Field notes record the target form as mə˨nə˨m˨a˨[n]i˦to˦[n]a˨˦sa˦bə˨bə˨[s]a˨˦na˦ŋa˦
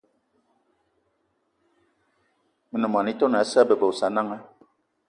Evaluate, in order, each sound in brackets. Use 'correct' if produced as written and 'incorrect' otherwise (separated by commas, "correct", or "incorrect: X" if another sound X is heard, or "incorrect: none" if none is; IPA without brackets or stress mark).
correct, correct, correct